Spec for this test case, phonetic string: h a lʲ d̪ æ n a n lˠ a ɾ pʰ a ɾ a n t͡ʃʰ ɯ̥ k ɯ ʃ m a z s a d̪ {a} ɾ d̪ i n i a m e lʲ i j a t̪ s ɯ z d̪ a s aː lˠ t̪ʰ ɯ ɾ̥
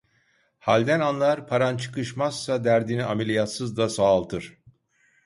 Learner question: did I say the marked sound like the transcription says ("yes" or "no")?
no